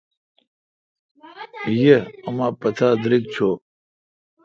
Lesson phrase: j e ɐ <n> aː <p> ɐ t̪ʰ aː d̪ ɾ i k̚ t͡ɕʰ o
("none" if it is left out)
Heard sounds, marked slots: m, p

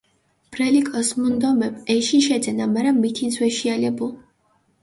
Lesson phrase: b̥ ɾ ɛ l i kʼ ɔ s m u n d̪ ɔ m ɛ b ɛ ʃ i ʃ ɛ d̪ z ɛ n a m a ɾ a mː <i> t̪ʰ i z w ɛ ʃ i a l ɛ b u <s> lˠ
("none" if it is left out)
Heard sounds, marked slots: i, none

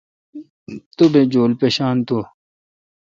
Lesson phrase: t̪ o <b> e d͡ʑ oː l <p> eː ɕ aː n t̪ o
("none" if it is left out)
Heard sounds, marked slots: b, p

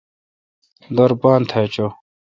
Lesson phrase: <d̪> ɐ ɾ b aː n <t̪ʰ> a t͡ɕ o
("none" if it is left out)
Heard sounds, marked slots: d̪, t̪ʰ

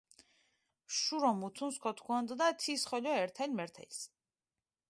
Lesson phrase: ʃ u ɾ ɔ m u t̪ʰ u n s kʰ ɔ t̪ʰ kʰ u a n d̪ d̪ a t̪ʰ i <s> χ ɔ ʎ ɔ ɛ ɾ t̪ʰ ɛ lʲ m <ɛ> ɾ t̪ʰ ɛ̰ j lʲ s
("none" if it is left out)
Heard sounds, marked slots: s, ɛ

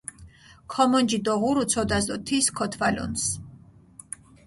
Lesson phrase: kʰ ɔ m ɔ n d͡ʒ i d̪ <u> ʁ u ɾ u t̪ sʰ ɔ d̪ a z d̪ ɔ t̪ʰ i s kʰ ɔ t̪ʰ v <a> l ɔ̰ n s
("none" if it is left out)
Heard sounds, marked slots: ɔ, a

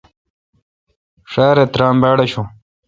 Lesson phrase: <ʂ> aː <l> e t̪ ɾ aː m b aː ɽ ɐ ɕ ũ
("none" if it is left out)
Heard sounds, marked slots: ʂ, ɾ

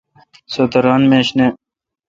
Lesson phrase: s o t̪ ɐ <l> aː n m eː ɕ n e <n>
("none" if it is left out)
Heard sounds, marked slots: ɾ, none

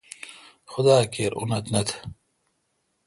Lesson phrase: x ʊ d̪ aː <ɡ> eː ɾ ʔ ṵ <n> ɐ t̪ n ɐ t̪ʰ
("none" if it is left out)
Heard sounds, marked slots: k, n

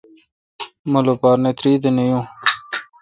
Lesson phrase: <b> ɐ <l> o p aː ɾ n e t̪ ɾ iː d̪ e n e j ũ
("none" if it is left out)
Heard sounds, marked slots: m, l

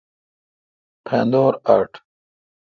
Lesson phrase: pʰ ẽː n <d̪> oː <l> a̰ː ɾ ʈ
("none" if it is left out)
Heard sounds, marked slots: d̪, ɾ

